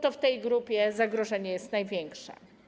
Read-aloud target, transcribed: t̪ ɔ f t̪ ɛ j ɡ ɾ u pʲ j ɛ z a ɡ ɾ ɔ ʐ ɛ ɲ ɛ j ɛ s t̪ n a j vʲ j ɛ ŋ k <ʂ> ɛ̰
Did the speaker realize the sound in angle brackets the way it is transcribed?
yes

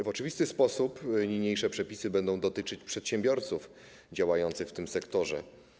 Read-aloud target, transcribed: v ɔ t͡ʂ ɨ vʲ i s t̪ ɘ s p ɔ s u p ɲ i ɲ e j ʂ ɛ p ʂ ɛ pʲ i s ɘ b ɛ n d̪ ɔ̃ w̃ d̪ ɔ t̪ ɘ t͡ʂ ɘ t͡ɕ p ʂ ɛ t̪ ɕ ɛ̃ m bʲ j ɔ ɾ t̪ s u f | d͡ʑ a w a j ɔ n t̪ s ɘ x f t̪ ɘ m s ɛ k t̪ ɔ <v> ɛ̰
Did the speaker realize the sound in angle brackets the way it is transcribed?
no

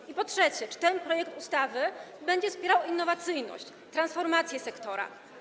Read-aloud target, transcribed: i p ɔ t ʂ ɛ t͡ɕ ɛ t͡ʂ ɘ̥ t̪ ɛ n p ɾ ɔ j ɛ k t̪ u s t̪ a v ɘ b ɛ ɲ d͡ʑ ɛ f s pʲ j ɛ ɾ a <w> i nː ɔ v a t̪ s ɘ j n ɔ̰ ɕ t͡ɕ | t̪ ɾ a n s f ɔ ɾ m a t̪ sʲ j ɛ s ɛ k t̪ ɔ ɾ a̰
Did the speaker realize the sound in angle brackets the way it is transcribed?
yes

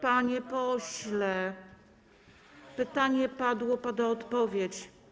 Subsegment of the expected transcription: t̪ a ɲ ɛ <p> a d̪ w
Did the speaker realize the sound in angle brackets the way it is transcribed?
yes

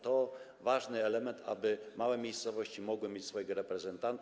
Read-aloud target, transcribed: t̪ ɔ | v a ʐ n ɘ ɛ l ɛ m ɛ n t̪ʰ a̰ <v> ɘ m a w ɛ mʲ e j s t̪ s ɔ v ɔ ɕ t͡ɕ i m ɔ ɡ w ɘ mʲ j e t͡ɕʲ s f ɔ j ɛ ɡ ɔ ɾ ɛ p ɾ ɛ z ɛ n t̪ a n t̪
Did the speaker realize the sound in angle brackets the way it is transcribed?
no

